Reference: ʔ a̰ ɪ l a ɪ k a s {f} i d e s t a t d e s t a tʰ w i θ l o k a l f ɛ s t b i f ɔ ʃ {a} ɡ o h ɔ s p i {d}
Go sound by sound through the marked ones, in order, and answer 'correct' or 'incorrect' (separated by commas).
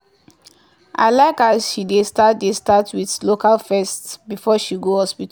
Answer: incorrect, incorrect, incorrect